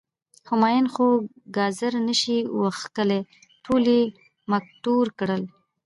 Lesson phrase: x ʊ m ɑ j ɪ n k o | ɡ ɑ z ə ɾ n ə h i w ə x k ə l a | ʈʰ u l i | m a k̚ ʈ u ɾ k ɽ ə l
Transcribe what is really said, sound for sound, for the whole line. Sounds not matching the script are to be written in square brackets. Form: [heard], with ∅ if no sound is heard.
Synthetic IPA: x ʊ m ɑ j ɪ n [x] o | ɡ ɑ z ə ɾ n ə [ʃ] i w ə x k ə l [e] | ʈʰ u l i | m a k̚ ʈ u ɾ k ɽ ə l